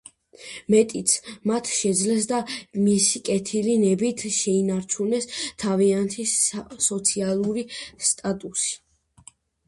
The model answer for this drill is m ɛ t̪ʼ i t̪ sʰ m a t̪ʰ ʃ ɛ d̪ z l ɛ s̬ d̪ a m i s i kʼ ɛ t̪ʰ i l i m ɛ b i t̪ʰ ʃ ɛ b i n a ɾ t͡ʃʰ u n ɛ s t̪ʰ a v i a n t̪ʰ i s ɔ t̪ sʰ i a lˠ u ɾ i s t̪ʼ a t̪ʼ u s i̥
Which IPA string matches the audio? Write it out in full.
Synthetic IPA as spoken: m ɛ t̪ʼ i t̪ sʰ m a t̪ʰ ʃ ɛ d̪ z l ɛ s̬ d̪ a m i s i kʼ ɛ t̪ʰ i l i n ɛ b i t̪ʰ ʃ ɛ i n a ɾ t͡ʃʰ u n ɛ s t̪ʰ a v i a n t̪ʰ i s ɔ t̪ sʰ i a lˠ u ɾ i s t̪ʼ a t̪ʼ u s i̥